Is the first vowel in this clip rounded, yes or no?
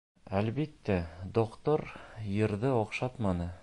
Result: no